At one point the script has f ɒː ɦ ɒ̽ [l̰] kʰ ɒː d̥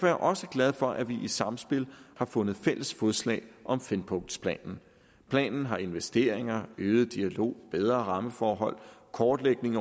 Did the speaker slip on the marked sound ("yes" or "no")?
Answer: no